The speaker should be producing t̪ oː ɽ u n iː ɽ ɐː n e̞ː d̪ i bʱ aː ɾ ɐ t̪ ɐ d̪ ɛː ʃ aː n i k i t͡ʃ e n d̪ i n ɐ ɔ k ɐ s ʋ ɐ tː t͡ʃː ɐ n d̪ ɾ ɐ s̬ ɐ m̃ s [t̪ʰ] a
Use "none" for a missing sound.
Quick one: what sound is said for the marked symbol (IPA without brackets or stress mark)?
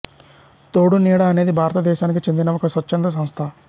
t̪ʰ